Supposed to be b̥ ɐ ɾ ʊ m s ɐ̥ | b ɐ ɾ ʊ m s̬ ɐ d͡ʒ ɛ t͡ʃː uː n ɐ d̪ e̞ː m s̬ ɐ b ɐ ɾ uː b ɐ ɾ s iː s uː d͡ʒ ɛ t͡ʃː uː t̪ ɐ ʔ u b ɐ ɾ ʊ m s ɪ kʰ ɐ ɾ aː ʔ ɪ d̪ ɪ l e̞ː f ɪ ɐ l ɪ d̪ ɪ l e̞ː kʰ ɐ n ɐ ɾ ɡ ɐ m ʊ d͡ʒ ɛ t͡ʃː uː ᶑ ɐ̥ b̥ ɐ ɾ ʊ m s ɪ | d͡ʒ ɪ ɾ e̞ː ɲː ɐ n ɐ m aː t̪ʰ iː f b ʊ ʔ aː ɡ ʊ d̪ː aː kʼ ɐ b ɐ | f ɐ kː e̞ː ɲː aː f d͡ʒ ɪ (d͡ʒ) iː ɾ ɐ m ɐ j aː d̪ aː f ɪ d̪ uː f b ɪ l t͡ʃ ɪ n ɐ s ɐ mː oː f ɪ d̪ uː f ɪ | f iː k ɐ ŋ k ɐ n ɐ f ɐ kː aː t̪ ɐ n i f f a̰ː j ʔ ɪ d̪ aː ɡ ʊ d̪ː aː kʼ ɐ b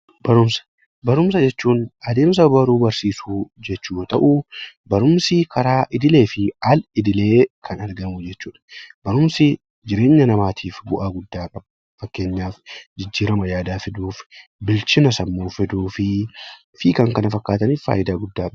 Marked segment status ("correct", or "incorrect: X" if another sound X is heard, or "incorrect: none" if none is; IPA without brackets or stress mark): incorrect: d͡ʒː